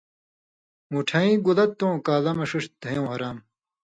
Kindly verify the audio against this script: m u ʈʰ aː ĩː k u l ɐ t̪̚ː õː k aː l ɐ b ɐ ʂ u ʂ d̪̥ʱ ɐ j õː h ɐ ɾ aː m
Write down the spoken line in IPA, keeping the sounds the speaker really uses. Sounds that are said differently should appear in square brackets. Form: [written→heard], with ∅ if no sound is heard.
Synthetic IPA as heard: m u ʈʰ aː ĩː [k→ɡ] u l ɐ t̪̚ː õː k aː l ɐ [b→m] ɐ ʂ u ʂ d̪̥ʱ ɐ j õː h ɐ ɾ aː m

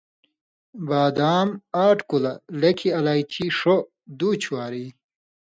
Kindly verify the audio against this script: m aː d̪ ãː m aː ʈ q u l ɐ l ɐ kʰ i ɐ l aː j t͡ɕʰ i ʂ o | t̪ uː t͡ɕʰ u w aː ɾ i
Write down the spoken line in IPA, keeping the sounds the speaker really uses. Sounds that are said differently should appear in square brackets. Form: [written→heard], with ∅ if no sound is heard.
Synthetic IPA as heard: [m→b] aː d̪ [ãː→aː] m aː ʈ [q→k] u l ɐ l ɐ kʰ i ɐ l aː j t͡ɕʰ i ʂ o | [t̪→d̪] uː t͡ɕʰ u w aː ɾ i

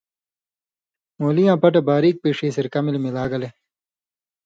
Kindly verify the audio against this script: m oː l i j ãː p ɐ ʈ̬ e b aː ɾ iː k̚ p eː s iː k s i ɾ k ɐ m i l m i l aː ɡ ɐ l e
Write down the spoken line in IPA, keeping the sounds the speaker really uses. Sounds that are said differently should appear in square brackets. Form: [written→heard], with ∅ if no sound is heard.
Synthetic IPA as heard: m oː l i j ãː p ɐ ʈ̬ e b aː ɾ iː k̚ p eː [s→ʂ] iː [k→∅] s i ɾ k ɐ m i l m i l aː ɡ ɐ l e

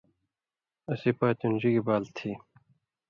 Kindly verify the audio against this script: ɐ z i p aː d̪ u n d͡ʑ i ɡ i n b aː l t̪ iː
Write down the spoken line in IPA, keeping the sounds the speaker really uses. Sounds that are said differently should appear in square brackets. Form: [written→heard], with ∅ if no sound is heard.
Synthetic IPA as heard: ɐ [z→s] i p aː [d̪→t̪] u n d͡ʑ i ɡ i [n→∅] b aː l [t̪→t̪ʰ] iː

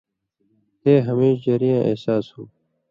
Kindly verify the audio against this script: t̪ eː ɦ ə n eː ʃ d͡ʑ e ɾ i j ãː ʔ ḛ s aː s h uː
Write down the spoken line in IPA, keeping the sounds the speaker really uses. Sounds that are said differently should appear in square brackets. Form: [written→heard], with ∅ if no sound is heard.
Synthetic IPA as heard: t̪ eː ɦ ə [n→m] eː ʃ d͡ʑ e ɾ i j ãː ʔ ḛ s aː s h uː

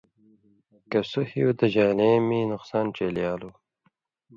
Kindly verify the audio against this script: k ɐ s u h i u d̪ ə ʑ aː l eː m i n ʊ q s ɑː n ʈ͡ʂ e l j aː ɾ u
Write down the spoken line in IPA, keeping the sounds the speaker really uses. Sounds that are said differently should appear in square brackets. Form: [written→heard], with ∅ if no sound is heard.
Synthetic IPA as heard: k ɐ s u h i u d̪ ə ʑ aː l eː m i n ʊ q s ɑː n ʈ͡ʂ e l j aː [ɾ→l] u

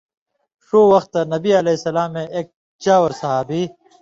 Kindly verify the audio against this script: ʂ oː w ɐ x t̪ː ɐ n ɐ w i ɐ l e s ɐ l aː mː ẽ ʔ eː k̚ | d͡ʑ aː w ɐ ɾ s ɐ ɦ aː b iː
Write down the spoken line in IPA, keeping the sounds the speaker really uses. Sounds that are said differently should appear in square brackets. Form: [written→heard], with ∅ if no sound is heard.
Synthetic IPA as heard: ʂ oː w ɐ x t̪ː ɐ n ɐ [w→b] i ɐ l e s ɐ l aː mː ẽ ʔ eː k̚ | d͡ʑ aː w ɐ ɾ s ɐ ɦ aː b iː

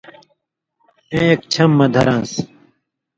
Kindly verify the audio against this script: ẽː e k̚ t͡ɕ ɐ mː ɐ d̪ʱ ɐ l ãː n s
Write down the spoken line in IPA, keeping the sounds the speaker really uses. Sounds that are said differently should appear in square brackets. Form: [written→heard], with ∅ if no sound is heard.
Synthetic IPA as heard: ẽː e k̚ [t͡ɕ→t͡ɕʰ] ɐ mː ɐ d̪ʱ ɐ [l→ɾ] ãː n s

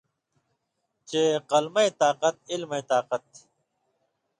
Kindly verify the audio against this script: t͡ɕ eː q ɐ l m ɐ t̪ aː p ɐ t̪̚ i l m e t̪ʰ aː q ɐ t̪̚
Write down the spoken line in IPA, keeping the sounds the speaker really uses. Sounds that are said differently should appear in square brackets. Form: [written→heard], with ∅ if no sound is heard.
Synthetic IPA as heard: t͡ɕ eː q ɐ l m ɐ t̪ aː [p→q] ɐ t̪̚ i l m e [t̪ʰ→t̪] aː q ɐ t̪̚

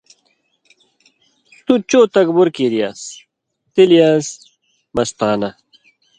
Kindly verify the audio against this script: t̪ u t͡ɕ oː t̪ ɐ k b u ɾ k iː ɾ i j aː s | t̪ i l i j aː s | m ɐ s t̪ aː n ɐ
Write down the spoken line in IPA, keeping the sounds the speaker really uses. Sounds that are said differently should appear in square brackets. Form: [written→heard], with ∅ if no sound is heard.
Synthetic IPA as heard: t̪ u t͡ɕ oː t̪ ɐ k b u ɾ k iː ɾ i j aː s | t̪ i l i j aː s | m ɐ s t̪ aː n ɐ

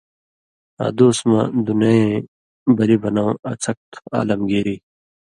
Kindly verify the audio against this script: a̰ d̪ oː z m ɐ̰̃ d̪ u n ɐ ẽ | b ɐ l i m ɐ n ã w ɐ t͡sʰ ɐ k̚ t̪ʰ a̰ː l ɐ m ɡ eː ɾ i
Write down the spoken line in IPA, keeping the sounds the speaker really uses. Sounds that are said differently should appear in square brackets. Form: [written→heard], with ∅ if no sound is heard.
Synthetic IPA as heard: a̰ d̪ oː [z→s] m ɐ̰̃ d̪ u n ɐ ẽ | b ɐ l i [m→b] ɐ n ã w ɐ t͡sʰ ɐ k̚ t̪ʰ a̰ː l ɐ m ɡ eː ɾ i

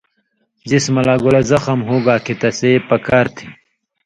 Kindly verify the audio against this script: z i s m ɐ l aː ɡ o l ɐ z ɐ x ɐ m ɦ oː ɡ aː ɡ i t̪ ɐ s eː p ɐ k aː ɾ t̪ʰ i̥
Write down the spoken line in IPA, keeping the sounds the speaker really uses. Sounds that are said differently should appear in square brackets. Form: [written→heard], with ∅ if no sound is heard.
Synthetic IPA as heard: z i s m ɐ l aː ɡ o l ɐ z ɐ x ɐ m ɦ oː ɡ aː [ɡ→k] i t̪ ɐ s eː p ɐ k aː ɾ t̪ʰ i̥

